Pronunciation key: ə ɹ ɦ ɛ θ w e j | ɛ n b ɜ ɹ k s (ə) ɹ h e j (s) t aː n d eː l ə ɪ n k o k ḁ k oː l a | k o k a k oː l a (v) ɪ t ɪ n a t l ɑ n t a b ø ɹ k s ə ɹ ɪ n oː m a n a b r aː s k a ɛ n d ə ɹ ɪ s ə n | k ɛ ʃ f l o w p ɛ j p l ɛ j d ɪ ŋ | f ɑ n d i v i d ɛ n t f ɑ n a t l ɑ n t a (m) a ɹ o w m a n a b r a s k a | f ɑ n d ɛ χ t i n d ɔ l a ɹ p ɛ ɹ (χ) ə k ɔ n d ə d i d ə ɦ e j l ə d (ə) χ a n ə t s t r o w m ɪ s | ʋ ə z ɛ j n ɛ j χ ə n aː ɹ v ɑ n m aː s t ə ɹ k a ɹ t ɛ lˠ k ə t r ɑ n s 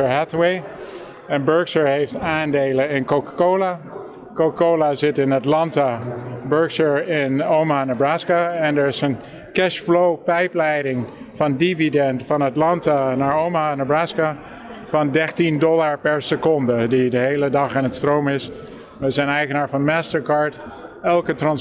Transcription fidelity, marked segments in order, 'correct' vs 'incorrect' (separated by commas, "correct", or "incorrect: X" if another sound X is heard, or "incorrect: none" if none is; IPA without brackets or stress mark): correct, incorrect: f, incorrect: z, incorrect: n, incorrect: s, incorrect: ɑ